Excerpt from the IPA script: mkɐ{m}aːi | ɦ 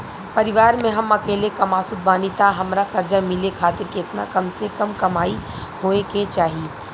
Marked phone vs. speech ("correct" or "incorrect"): correct